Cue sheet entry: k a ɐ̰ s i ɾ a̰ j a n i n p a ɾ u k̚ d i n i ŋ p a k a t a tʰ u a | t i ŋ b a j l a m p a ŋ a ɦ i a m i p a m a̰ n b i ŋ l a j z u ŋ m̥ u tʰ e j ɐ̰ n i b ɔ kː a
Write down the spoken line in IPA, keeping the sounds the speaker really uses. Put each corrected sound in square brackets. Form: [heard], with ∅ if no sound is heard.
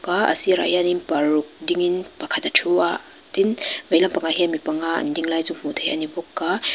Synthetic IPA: k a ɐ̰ s i ɾ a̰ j a n i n p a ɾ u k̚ d i [ŋ] i [n] p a [kʰ] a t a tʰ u a | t i [n] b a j l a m p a ŋ a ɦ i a m i p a [ŋ] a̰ n [d] i ŋ l a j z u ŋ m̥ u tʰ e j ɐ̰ n i b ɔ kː a